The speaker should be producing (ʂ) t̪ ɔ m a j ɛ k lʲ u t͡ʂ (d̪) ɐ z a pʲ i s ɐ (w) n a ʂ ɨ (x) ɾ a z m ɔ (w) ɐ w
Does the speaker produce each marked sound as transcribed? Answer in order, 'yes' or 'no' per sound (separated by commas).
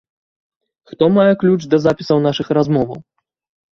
no, yes, yes, yes, no